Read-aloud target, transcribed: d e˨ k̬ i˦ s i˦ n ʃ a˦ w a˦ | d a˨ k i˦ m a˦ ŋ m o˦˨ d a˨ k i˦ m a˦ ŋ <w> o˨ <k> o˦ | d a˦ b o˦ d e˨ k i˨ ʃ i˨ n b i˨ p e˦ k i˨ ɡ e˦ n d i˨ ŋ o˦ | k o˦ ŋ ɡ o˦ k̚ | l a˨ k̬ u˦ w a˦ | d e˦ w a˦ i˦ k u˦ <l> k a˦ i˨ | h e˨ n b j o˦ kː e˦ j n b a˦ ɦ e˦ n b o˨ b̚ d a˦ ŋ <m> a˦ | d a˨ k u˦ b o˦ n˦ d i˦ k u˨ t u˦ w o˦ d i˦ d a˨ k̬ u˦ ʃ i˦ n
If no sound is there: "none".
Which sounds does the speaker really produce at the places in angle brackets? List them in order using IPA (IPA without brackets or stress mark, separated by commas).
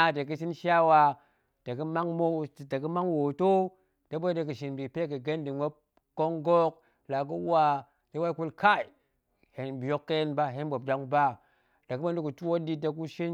w, t, l, b